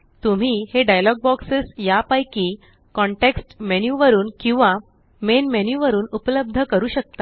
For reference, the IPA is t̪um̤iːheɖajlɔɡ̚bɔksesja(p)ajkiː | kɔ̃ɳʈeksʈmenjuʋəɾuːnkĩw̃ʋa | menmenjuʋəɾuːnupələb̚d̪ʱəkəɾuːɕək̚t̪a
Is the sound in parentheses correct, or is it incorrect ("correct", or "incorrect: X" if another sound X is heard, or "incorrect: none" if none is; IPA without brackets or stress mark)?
correct